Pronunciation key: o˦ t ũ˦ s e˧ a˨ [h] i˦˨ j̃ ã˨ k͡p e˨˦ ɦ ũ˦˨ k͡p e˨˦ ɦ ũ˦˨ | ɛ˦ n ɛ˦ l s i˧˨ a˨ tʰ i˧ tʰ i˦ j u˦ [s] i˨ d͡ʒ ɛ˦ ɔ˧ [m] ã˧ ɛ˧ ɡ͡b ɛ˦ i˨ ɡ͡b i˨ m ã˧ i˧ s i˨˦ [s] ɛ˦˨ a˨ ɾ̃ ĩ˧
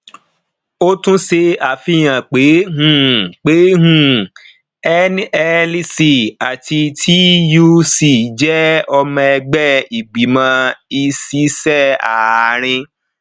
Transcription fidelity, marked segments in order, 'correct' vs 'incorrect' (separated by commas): incorrect, correct, correct, correct